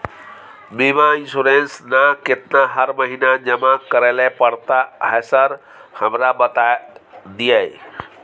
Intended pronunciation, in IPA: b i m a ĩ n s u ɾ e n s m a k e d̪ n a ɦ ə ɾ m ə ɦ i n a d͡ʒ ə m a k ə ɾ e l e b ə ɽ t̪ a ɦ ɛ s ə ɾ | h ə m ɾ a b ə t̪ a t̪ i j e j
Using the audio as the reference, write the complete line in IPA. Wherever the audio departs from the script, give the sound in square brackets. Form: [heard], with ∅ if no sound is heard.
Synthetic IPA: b i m a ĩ n s u ɾ e n s [n] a k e [t̪] n a ɦ ə ɾ m ə ɦ i n a d͡ʒ ə m a k ə ɾ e l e [p] ə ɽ t̪ a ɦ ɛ s ə ɾ | h ə m ɾ a b ə t̪ a [d̪] i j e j